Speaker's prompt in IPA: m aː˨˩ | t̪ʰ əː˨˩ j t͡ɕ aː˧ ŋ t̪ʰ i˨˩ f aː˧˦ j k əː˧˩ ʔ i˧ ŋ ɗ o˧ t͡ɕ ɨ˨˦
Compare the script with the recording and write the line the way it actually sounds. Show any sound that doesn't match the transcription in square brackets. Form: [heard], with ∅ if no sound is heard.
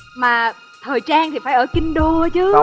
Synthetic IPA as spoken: m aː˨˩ | t̪ʰ əː˨˩ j t͡ɕ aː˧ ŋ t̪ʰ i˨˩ f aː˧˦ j [ʔ] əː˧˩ [k] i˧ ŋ ɗ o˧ t͡ɕ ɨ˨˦